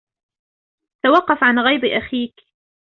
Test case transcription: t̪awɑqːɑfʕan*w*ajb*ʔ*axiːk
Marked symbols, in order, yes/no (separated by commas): no, yes